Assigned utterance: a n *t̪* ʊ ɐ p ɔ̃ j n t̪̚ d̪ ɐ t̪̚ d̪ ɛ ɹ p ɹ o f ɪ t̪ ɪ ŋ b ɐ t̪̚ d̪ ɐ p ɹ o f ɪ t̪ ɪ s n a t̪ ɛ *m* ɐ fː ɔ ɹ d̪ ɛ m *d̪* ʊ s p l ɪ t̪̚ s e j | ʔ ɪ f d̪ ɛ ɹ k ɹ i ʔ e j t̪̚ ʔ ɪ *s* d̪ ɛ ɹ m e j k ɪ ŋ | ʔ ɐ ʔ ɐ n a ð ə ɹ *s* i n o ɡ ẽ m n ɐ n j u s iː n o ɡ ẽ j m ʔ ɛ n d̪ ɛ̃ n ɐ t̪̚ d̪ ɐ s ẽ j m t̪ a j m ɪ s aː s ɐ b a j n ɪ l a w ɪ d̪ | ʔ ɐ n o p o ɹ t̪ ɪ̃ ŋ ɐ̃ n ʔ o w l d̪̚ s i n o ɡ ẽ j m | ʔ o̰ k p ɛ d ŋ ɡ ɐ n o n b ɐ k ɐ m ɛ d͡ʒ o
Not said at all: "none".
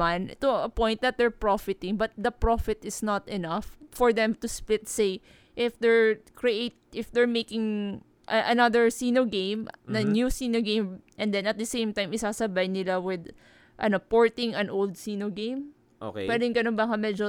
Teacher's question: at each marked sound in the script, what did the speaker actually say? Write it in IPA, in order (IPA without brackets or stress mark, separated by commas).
t̪, n, t̪, f, s